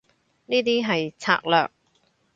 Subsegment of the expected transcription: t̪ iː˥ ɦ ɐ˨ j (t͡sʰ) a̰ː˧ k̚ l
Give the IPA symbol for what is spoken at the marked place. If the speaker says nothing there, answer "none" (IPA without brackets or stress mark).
t͡sʰ